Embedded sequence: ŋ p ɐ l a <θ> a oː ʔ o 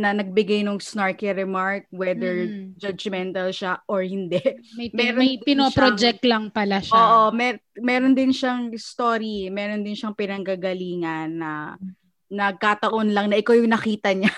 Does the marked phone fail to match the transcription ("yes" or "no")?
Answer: yes